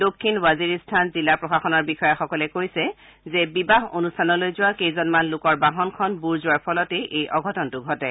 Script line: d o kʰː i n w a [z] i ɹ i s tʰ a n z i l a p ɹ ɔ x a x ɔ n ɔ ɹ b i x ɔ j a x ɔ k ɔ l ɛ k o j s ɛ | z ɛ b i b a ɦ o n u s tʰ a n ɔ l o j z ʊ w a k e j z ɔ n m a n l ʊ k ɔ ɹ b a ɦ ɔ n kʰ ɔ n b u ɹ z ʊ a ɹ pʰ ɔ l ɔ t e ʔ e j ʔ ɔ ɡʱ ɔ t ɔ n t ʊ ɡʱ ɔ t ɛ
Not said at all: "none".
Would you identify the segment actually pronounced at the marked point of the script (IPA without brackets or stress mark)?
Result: z